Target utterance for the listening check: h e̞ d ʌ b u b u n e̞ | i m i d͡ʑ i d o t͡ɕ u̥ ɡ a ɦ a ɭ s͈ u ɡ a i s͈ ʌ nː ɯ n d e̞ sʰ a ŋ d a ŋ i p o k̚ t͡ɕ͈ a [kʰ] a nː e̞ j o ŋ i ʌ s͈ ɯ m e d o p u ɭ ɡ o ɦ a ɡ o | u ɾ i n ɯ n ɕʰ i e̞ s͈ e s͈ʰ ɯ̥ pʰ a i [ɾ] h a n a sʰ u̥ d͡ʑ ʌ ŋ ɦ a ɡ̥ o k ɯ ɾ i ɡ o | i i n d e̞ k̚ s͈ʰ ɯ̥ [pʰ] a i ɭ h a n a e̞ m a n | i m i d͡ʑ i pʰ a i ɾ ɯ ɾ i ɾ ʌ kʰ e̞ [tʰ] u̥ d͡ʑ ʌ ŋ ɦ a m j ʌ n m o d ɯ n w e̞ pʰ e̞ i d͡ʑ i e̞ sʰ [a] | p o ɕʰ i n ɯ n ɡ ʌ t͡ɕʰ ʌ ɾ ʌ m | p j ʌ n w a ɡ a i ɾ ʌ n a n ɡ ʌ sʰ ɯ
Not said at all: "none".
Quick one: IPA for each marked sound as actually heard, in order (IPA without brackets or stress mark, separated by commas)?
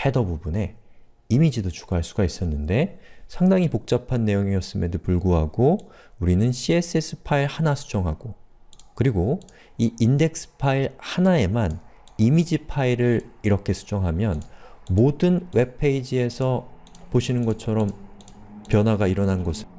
pʰ, ɭ, pʰ, sʰ, ʌ